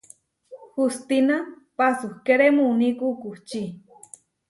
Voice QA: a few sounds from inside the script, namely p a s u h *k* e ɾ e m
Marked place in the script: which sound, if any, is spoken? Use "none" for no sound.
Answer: k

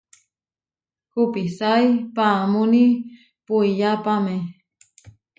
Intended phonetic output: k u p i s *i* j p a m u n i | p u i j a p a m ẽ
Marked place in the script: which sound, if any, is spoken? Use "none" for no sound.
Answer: a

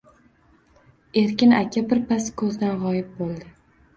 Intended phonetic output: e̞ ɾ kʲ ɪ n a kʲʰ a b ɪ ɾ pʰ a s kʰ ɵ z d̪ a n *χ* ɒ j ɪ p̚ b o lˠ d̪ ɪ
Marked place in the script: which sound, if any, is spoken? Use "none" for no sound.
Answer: ʁ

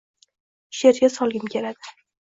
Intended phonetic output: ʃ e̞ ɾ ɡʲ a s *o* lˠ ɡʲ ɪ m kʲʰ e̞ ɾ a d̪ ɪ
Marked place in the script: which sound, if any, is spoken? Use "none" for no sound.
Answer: ɒ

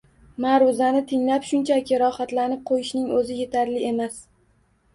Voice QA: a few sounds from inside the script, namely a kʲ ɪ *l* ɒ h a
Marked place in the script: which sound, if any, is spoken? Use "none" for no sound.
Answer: ɾ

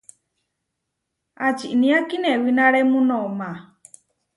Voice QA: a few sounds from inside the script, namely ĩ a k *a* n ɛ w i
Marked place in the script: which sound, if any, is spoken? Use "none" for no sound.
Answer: i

